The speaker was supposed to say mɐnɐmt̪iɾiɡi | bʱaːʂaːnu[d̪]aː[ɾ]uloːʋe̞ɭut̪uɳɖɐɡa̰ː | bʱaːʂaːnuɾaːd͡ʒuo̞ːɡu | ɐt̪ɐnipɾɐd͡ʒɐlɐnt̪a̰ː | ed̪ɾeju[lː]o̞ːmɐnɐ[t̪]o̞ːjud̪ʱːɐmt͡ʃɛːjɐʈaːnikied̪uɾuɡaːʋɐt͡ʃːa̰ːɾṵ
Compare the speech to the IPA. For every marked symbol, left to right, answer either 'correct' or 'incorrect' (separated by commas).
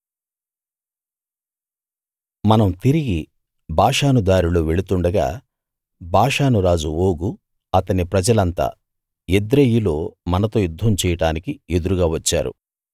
correct, correct, incorrect, correct